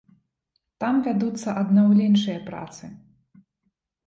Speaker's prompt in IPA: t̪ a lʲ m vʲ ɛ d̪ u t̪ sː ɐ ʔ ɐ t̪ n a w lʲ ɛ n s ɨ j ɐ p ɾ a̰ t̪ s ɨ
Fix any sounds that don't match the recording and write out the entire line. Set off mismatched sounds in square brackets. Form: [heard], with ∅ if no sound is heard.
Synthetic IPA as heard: t̪ a [∅] m vʲ [a] d̪ u t̪ sː ɐ ʔ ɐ [d̪] n a w lʲ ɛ n [ʂ] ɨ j ɐ p ɾ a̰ t̪ s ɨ